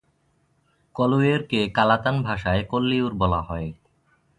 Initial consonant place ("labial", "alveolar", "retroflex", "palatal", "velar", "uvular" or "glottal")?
velar